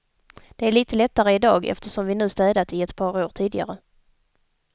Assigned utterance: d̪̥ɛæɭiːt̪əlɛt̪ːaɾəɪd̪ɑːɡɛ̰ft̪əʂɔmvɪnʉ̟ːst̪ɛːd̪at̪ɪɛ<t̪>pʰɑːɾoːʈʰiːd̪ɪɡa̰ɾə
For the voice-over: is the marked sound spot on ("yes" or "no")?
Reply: yes